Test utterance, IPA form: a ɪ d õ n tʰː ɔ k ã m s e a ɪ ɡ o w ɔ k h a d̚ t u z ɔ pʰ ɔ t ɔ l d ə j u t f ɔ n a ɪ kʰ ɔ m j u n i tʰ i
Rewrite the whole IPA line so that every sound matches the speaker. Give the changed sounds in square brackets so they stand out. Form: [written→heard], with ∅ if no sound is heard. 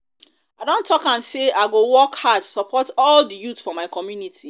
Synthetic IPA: a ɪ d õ n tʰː ɔ k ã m s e a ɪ ɡ o w ɔ k h a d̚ t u [z→s] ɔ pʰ ɔ t ɔ l d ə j u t f ɔ [n→m] a ɪ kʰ ɔ m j u n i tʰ i